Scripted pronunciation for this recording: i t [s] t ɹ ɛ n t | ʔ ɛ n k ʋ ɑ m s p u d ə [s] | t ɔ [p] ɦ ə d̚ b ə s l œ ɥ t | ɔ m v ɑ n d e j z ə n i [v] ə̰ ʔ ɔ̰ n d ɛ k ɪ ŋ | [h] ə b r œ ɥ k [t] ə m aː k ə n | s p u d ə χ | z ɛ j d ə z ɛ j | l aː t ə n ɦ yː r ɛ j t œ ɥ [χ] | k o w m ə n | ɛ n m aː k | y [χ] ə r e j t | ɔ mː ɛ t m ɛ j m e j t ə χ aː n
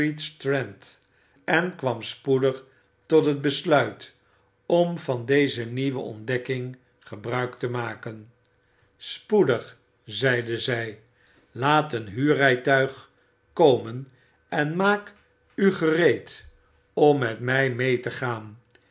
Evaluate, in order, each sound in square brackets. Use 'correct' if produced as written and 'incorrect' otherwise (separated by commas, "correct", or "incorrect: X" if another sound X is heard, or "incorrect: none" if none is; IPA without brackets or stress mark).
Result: correct, incorrect: χ, incorrect: t, incorrect: ʋ, incorrect: χ, correct, correct, correct